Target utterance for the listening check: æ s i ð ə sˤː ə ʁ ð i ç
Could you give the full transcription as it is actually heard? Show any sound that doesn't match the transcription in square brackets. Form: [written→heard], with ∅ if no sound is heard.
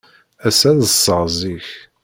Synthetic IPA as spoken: æ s [i→æ] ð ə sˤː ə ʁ [ð→z] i ç